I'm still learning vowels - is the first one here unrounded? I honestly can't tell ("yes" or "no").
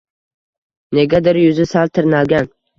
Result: yes